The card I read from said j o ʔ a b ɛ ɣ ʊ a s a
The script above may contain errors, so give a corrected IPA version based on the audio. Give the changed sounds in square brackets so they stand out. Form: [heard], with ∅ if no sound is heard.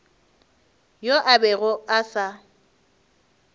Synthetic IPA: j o ʔ a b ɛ ɣ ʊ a s a